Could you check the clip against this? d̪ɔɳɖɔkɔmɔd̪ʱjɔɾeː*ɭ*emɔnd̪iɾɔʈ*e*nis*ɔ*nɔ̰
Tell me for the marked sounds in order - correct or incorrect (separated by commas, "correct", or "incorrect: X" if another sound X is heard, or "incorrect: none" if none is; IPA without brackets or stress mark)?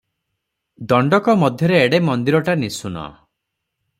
incorrect: ɽ, incorrect: a, incorrect: u